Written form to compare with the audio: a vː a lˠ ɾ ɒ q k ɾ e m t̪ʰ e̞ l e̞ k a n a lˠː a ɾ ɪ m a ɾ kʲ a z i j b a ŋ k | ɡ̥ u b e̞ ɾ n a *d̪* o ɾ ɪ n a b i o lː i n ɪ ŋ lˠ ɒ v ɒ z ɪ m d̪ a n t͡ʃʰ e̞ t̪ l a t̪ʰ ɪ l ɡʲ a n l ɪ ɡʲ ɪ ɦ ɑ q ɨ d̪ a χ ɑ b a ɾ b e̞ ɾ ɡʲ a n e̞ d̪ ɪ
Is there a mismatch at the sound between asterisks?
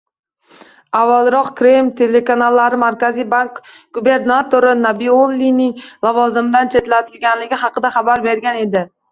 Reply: yes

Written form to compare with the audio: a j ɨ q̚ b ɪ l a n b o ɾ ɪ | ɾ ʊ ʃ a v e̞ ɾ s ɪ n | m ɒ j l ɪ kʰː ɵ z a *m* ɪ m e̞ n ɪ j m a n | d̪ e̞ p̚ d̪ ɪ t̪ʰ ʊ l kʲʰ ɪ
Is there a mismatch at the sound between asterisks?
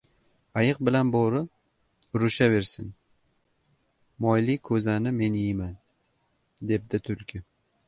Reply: yes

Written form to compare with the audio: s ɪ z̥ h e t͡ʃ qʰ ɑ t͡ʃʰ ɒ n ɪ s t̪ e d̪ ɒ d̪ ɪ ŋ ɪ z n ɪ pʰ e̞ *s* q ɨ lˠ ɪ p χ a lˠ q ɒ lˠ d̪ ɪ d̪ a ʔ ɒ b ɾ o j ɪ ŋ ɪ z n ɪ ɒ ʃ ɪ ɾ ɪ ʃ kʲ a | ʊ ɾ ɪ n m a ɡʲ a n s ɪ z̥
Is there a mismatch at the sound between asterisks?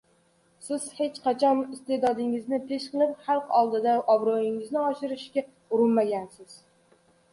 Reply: yes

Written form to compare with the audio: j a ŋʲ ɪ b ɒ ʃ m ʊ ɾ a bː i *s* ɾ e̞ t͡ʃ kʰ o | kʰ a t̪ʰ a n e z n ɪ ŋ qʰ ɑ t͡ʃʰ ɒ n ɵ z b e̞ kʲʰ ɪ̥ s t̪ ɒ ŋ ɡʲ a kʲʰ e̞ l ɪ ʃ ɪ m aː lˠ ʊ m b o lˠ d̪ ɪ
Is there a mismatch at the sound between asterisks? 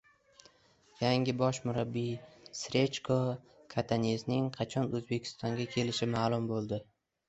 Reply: no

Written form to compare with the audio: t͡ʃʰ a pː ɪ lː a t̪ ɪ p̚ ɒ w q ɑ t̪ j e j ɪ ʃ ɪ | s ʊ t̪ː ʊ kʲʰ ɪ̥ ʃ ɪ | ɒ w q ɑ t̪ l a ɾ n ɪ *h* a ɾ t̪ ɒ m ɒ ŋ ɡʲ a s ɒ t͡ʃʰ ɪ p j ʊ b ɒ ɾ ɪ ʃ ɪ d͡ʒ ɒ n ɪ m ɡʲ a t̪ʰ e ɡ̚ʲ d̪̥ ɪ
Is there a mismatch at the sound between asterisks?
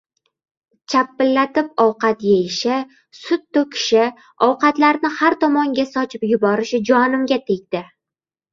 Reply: no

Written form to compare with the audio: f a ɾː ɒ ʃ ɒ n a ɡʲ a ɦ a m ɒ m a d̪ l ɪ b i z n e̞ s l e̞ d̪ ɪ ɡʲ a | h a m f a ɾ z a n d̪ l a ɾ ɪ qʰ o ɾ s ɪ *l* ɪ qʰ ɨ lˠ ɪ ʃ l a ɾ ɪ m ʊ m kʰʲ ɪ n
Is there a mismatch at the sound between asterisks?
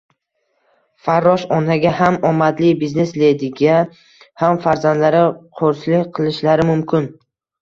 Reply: no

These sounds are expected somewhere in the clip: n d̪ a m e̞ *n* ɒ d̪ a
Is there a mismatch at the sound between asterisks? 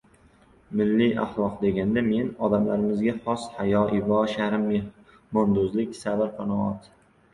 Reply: no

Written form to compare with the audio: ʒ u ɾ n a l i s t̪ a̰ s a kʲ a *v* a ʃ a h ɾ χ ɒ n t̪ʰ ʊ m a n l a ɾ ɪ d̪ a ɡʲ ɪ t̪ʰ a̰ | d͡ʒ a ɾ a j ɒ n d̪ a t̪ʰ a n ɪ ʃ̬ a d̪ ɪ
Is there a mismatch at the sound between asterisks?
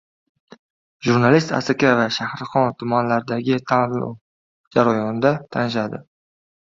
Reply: no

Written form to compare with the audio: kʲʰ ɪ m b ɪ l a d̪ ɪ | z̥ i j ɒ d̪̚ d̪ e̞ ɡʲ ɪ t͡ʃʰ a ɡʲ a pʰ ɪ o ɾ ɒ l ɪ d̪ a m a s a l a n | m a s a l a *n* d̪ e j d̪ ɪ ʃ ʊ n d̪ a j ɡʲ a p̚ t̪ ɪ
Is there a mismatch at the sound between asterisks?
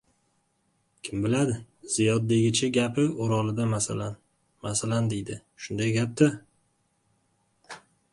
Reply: no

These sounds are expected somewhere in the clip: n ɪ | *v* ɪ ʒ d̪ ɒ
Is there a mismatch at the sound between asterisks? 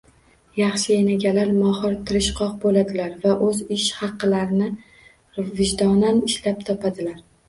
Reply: no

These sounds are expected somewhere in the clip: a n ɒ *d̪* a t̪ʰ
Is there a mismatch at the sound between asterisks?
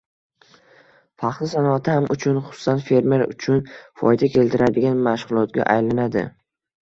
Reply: yes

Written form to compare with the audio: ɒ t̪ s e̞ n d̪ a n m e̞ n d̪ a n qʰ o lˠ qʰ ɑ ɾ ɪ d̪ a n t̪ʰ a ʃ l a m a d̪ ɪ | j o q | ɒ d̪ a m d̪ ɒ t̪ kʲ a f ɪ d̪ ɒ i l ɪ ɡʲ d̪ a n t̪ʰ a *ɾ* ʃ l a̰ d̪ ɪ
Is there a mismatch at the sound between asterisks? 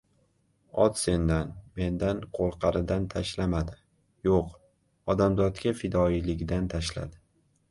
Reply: yes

